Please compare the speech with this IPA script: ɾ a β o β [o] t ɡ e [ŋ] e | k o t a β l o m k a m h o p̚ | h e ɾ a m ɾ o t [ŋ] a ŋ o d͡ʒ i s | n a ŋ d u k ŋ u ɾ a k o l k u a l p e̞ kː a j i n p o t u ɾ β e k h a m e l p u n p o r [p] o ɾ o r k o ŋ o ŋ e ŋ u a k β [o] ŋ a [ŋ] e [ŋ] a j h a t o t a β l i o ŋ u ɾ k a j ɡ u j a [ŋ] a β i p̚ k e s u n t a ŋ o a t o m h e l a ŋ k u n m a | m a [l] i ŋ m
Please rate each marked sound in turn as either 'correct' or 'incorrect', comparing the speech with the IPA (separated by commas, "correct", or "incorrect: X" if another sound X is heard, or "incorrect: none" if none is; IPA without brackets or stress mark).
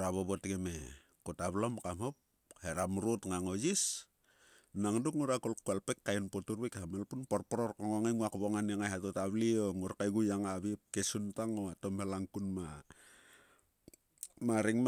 correct, incorrect: m, correct, correct, correct, incorrect: n, correct, correct, incorrect: ɾ